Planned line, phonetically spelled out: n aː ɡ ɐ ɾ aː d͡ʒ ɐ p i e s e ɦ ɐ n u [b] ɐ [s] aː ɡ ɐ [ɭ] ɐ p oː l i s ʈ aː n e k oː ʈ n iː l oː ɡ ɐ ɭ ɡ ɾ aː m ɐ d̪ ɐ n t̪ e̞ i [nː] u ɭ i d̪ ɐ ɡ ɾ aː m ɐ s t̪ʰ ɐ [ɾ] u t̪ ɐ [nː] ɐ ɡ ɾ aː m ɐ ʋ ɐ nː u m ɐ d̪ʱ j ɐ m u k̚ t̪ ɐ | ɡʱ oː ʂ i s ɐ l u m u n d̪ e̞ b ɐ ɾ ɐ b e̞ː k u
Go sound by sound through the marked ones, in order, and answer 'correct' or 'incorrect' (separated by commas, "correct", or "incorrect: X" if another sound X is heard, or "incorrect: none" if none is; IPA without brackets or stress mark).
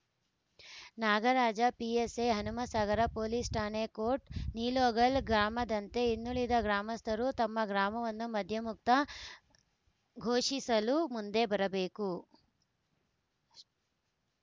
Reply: incorrect: m, correct, incorrect: ɾ, correct, correct, incorrect: mː